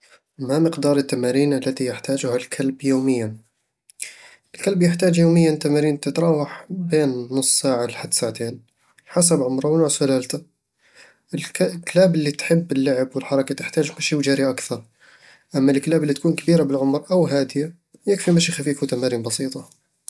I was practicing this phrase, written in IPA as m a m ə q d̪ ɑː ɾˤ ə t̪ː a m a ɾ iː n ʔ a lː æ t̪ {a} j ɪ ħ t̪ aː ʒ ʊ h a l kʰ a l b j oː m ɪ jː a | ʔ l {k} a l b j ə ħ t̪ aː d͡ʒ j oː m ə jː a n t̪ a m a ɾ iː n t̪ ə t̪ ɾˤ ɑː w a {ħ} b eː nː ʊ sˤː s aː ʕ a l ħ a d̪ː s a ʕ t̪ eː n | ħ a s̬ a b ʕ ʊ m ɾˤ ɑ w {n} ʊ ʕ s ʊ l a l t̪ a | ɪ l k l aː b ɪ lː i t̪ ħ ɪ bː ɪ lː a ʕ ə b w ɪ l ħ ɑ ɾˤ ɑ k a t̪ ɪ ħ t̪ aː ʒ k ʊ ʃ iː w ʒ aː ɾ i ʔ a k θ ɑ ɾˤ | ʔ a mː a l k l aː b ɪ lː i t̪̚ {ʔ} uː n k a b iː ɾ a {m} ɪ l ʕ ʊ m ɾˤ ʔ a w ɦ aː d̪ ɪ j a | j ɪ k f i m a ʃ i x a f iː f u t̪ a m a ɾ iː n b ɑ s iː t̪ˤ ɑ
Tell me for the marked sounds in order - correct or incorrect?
incorrect, correct, correct, correct, incorrect, incorrect

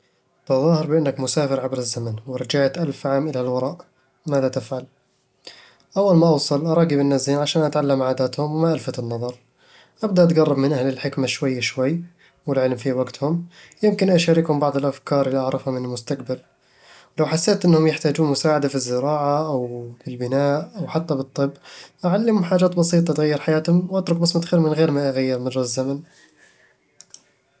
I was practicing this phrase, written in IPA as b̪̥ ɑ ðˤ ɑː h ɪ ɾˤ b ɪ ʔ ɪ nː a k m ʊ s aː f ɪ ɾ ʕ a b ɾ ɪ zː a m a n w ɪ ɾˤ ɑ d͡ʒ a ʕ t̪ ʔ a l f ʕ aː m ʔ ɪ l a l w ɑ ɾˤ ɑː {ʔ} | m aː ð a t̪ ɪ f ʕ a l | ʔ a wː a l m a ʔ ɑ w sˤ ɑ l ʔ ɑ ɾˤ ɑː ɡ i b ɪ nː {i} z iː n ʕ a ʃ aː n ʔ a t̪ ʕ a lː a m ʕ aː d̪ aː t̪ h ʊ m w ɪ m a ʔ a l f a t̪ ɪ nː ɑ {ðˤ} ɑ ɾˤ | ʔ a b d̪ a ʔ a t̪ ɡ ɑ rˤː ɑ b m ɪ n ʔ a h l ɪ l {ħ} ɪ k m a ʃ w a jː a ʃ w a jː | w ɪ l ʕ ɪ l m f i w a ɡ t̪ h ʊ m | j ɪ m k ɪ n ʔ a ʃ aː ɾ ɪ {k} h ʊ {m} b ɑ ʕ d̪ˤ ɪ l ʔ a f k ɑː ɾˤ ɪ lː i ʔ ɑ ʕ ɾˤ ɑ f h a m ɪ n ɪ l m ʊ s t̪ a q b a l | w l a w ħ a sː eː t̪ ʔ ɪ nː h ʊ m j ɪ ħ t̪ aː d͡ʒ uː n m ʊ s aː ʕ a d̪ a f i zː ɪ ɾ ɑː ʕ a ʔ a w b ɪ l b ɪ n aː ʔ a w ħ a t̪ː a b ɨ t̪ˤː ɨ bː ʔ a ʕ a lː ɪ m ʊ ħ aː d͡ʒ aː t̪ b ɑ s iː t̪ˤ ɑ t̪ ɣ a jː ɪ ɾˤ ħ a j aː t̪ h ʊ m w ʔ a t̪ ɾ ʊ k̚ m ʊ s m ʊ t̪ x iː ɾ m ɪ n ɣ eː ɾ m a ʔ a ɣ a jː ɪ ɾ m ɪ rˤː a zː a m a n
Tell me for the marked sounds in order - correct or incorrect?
correct, incorrect, correct, correct, correct, correct

